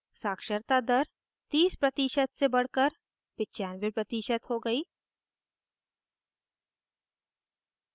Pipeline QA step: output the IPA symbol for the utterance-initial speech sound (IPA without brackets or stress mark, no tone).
s